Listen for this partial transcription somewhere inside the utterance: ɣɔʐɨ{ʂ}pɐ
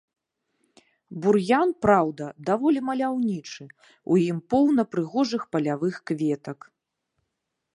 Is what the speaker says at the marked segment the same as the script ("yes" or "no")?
no